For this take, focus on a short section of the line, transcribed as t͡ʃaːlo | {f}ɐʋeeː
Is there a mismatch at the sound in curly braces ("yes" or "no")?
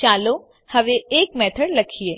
yes